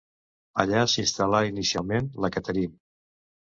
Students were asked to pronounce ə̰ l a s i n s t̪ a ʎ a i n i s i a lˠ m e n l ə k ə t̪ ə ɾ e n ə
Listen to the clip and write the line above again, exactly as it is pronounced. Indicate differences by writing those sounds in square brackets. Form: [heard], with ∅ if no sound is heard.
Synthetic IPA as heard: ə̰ [ʎ] a s i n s t̪ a [l] a i n i s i a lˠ m e n l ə k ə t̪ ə ɾ [i] n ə